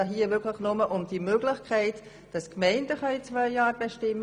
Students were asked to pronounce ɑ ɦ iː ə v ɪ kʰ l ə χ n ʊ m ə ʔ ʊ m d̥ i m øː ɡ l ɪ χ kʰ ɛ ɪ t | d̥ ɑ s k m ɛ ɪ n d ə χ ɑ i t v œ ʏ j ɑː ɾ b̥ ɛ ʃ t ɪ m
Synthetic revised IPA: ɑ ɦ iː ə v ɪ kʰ l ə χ n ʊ m ə ʔ ʊ m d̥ i m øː ɡ l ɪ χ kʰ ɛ ɪ t | d̥ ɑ s k m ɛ ɪ n d ə χ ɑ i t͡s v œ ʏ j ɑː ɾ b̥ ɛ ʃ t ɪ m